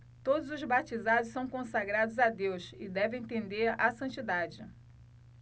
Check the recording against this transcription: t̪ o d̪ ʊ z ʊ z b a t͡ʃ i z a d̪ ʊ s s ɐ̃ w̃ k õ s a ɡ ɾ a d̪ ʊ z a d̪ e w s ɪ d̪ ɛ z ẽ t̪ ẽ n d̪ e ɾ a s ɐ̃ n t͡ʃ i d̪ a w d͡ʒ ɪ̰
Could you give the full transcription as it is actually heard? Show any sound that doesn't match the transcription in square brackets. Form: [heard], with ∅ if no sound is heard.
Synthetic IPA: t̪ o d̪ ʊ z ʊ z b a t͡ʃ i z a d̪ ʊ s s ɐ̃ w̃ k õ s a ɡ ɾ a d̪ ʊ z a d̪ e w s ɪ d̪ ɛ [v] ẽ t̪ ẽ n d̪ e ɾ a s ɐ̃ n t͡ʃ i d̪ a [∅] d͡ʒ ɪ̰